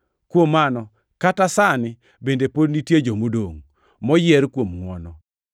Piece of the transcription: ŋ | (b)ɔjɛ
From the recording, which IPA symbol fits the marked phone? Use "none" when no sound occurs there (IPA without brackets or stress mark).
m